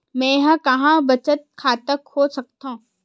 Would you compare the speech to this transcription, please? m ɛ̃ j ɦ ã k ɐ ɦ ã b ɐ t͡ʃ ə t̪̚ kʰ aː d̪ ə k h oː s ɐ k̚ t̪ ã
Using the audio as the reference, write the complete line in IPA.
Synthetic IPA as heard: m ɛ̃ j ɦ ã k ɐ ɦ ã b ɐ t͡ʃ ə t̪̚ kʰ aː t̪ ə k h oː s ɐ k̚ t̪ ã